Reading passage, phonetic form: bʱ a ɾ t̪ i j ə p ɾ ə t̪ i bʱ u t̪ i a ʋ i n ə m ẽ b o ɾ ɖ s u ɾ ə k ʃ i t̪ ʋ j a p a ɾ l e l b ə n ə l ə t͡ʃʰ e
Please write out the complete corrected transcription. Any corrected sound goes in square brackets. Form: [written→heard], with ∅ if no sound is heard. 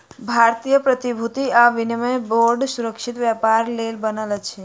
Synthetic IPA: bʱ a ɾ t̪ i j ə p ɾ ə t̪ i bʱ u t̪ i a ʋ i n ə m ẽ b o ɾ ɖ s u ɾ ə k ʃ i t̪ ʋ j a p a ɾ l e l b ə n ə l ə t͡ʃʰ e